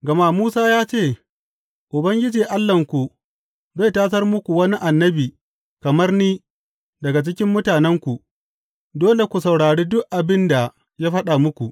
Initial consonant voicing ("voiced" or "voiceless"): voiced